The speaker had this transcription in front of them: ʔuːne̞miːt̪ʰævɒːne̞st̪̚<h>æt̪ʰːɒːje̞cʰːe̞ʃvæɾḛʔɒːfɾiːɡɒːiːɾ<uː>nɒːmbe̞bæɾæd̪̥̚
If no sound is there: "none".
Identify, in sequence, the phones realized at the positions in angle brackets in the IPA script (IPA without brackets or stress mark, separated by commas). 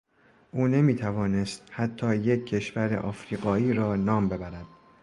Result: h, ɒː